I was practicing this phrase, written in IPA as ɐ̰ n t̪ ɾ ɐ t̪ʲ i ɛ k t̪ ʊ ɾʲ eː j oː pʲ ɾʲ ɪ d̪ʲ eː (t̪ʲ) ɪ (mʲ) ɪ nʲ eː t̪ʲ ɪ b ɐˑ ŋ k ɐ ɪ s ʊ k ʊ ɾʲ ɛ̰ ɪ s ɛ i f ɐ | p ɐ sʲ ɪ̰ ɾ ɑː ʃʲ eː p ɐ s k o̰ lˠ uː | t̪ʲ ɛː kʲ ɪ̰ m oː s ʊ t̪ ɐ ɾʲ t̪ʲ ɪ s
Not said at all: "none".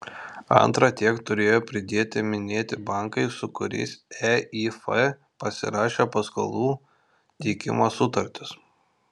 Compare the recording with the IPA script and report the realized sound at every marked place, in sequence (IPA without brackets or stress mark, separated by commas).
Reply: t̪ʲ, mʲ